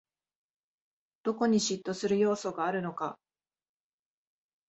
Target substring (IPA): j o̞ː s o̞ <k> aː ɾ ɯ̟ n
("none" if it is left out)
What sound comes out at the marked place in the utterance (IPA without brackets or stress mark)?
ɡ